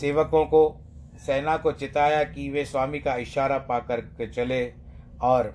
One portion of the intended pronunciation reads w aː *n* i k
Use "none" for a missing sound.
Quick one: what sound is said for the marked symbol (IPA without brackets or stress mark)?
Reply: m